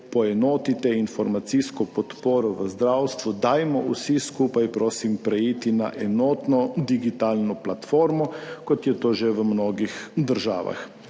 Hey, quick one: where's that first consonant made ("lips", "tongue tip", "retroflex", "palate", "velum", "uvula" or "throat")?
lips